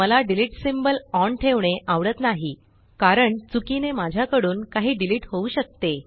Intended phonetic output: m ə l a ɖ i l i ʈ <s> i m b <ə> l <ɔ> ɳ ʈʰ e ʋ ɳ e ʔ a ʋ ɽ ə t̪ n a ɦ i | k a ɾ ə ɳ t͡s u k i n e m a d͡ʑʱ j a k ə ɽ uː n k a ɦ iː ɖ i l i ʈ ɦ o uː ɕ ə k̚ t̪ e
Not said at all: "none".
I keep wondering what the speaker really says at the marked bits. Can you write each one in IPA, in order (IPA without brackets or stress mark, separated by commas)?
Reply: s, ə, ɔ